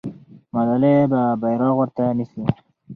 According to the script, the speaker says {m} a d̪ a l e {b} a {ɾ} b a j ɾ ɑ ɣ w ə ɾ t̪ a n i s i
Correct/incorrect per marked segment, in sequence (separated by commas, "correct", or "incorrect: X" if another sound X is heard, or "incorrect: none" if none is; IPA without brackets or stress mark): correct, correct, incorrect: none